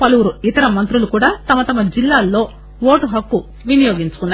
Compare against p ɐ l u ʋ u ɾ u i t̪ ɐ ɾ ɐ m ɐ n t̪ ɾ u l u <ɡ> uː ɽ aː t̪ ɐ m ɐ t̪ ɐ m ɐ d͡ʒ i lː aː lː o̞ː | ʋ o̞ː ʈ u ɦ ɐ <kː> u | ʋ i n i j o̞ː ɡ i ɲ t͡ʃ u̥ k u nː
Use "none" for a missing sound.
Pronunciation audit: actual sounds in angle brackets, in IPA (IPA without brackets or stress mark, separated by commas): k, kː